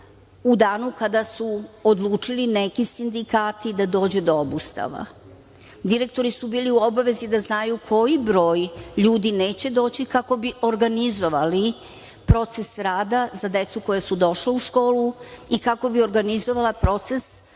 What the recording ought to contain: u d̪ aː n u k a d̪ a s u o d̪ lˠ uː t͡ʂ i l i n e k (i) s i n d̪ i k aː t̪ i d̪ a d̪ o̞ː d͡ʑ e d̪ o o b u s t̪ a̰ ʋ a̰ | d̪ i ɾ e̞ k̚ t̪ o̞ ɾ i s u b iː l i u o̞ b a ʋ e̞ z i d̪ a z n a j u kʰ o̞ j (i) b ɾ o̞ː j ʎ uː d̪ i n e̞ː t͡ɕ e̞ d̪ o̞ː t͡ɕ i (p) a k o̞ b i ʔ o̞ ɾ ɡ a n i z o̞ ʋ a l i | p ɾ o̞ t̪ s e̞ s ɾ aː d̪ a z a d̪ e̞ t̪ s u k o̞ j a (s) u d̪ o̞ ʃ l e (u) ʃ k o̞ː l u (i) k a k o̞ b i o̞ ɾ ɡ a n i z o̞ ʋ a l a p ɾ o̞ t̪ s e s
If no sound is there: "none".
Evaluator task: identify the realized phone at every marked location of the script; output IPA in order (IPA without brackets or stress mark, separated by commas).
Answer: i, i, k, s, u, i